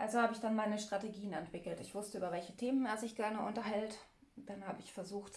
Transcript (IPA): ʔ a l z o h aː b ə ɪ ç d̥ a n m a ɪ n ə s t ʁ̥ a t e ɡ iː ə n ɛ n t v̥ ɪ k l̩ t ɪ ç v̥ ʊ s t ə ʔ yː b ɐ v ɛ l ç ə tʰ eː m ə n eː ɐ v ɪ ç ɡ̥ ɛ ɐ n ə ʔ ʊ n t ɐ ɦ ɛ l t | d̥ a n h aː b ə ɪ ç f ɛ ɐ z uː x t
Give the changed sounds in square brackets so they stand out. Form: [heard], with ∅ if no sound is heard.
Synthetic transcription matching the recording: ʔ a l z o h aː b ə ɪ ç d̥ a n m a ɪ n ə [ʃ] t ʁ̥ a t e ɡ iː ə n ɛ n t v̥ ɪ k l̩ t ɪ ç v̥ ʊ s t ə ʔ yː b ɐ v ɛ l ç ə tʰ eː m ə n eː ɐ [z] ɪ ç ɡ̥ ɛ ɐ n ə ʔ ʊ n t ɐ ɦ ɛ l t | d̥ a n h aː b ə ɪ ç f ɛ ɐ z uː x t